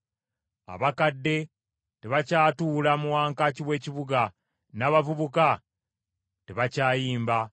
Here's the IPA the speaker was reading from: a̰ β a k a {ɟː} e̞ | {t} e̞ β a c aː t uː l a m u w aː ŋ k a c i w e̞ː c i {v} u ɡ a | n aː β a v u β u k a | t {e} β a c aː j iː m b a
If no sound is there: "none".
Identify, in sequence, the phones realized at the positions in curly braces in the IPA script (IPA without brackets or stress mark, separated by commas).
dː, t, β, e